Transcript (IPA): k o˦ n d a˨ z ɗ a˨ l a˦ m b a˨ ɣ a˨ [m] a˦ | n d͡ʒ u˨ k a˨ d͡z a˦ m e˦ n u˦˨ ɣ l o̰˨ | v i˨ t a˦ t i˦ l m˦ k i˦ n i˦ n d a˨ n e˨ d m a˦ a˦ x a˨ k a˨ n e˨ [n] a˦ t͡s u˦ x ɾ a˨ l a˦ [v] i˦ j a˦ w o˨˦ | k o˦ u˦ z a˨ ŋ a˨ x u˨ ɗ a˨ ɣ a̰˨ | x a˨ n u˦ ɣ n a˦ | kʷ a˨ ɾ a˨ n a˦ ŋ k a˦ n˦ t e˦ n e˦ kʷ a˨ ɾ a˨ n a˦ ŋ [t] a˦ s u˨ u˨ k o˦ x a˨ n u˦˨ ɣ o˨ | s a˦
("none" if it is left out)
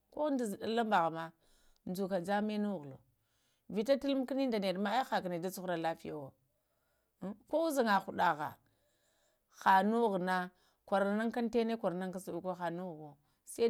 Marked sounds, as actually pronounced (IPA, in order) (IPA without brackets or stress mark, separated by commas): m, d, f, k